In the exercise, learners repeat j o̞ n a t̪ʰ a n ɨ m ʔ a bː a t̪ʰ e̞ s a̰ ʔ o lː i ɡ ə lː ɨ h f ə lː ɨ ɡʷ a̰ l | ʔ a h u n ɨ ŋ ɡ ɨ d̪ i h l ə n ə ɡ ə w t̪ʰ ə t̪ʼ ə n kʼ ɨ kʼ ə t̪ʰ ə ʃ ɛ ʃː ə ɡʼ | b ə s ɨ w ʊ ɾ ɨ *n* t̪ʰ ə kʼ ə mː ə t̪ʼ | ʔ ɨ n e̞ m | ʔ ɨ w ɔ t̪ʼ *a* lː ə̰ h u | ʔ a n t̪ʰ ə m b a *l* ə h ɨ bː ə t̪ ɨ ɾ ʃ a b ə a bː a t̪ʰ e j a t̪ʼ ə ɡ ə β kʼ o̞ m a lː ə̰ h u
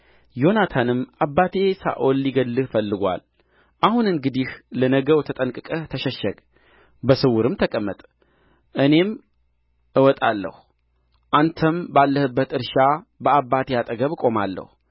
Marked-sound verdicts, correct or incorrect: incorrect: m, correct, incorrect: lː

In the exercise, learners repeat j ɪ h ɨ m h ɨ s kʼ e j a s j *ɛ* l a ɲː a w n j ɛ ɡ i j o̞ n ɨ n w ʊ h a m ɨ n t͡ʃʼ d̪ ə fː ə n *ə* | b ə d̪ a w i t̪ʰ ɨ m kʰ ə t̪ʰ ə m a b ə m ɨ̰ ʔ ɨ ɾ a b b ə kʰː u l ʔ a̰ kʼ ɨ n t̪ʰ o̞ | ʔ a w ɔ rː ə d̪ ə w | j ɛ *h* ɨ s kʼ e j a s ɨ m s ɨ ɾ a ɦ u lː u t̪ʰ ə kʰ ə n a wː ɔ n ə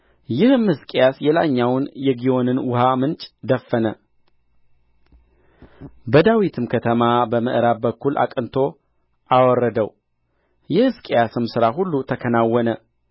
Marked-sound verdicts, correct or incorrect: correct, correct, correct

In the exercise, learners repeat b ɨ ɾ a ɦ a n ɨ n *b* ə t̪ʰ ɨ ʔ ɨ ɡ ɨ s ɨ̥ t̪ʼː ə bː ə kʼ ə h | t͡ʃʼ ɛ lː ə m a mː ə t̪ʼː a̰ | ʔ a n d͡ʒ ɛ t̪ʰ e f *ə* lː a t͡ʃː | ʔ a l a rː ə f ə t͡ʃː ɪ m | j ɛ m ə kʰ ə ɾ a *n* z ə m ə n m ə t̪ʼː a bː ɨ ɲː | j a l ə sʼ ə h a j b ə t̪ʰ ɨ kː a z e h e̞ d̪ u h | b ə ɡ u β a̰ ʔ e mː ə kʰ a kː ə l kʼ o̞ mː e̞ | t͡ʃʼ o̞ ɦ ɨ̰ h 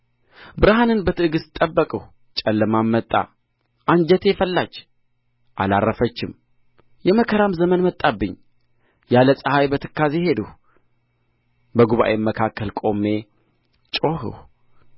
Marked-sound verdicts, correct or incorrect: correct, correct, incorrect: m

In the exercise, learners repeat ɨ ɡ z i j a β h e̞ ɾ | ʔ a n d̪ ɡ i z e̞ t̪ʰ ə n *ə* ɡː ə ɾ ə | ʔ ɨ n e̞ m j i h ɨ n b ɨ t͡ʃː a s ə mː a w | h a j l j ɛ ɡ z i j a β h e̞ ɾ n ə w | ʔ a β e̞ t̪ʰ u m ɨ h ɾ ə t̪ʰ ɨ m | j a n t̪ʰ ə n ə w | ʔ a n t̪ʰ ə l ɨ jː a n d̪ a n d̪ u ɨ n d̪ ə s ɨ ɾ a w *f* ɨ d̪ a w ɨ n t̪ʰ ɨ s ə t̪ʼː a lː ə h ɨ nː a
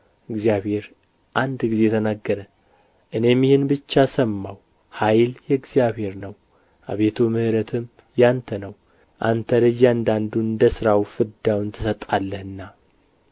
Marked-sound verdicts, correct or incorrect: incorrect: a, correct

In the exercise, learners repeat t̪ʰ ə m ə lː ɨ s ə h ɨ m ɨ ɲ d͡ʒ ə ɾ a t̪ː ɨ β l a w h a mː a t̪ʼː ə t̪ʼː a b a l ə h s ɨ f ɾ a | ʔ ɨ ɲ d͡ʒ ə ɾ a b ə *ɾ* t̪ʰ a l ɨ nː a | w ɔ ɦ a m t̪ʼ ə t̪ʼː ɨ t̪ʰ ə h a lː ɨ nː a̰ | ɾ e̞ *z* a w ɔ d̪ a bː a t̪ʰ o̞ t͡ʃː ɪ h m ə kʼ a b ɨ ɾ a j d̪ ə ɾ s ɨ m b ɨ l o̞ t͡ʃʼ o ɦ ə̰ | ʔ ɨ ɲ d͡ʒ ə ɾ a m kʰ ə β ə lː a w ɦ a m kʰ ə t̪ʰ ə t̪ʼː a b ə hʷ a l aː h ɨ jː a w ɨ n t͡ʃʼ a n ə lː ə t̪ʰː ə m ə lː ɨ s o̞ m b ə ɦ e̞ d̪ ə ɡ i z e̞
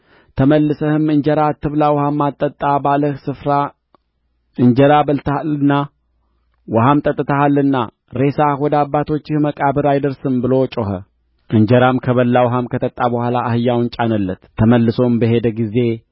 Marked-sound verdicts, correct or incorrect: incorrect: l, incorrect: s

